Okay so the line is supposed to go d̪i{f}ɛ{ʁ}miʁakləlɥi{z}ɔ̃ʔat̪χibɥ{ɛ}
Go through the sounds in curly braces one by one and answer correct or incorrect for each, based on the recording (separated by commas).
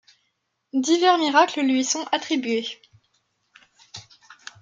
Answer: incorrect, correct, incorrect, incorrect